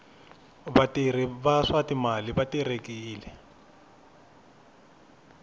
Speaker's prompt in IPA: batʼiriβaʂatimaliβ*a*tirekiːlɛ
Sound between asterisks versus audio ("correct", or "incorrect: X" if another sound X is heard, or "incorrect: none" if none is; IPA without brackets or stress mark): correct